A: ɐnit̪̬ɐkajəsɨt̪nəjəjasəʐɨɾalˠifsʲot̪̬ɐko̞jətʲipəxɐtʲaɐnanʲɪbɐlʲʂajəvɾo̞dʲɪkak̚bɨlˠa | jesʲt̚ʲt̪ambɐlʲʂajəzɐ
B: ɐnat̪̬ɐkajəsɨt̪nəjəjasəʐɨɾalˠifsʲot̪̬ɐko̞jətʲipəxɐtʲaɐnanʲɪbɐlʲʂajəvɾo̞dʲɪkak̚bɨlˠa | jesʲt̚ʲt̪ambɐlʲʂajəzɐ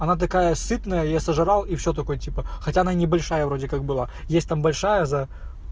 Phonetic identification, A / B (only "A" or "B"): B